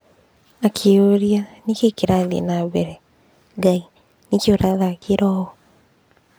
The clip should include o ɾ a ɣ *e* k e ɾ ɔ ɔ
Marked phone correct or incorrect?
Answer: incorrect